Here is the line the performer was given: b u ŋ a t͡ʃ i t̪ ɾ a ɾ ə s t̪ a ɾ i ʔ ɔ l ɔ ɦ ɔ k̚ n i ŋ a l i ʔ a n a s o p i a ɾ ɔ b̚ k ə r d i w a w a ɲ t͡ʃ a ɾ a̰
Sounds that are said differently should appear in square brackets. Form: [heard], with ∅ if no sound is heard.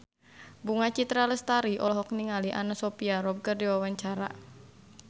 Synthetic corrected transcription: b u ŋ a t͡ʃ i t̪ ɾ a [l] ə s t̪ a ɾ i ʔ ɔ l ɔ ɦ ɔ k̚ n i ŋ a l i ʔ a n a s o p i a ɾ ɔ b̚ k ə r d i w a w a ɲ t͡ʃ a ɾ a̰